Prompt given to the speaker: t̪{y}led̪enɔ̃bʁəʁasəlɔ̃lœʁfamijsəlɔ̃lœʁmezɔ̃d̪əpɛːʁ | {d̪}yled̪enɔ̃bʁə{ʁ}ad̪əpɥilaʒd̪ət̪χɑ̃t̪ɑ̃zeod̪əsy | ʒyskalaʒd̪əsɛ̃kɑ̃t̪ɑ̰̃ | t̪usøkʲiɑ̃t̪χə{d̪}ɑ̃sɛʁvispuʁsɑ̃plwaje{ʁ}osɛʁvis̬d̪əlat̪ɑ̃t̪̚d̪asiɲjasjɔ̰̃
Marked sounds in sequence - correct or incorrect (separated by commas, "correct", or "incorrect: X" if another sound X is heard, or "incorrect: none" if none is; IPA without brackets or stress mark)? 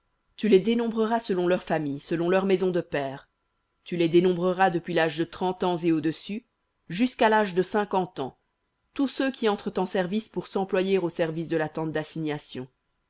correct, incorrect: t̪, correct, incorrect: t̪, correct